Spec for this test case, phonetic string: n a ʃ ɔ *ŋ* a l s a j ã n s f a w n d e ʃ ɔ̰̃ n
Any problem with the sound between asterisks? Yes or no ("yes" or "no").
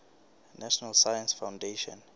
yes